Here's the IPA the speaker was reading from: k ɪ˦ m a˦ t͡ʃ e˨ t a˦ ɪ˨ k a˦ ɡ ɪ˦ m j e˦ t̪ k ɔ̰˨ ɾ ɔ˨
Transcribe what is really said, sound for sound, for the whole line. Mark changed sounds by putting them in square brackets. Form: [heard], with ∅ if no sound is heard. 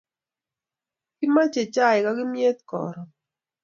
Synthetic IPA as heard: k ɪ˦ m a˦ t͡ʃ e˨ [t͡ʃ] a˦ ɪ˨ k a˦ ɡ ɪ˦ m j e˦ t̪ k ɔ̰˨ ɾ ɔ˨